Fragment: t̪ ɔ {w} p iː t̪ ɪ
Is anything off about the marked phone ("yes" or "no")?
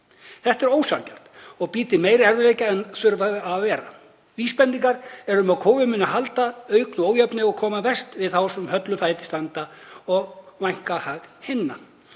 yes